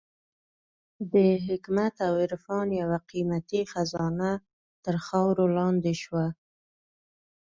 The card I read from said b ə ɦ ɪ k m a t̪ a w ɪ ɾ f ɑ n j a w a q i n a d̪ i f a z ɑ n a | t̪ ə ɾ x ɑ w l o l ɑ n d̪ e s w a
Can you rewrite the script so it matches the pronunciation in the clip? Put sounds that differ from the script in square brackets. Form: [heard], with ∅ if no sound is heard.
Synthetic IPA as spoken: b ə ɦ ɪ k m a t̪ a w ɪ ɾ f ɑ n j a w a q i [m] a [t̪] i [x] a z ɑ n a | t̪ ə ɾ x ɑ w [ɾ] o l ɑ n d̪ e [ʃ] w a